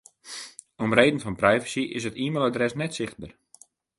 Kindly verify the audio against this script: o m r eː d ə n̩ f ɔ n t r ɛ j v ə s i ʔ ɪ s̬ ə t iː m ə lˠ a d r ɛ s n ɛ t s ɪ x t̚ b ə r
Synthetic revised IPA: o m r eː d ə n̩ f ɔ n p r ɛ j v ə s i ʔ ɪ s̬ ə t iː m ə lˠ a d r ɛ s n ɛ t s ɪ x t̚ b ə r